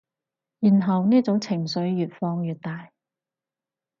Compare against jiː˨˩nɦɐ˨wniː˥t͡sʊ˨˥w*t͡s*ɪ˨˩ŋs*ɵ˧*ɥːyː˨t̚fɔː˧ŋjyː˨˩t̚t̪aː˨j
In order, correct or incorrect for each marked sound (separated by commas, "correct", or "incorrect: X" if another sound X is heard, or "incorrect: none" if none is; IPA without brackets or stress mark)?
incorrect: t͡sʰ, incorrect: ɵ˨˥